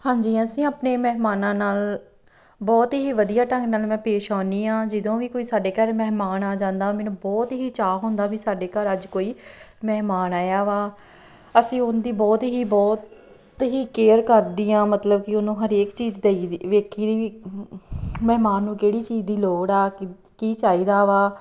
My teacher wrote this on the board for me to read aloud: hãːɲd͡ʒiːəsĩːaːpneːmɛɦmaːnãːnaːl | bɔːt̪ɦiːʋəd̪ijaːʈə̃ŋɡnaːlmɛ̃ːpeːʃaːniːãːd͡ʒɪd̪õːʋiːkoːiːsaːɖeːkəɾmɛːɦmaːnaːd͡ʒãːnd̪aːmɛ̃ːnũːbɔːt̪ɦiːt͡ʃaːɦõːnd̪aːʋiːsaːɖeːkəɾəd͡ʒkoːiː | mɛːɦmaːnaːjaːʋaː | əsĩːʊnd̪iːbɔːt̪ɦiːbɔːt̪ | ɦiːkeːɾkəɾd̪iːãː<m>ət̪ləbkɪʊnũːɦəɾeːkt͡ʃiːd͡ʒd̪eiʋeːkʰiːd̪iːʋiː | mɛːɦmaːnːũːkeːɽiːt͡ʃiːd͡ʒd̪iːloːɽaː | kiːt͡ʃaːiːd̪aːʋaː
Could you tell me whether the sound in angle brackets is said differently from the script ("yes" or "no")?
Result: no